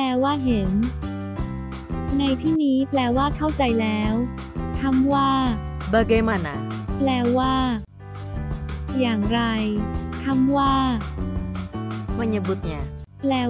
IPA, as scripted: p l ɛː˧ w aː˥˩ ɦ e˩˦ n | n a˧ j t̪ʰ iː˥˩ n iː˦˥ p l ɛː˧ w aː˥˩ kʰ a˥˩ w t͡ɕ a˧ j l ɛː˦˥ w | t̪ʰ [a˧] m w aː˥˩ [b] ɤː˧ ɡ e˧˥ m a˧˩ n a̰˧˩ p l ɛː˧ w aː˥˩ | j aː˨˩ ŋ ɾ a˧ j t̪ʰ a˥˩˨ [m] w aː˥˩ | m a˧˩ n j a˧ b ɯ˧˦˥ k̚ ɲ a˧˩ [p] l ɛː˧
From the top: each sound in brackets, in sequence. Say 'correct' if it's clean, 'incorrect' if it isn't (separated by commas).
incorrect, correct, correct, correct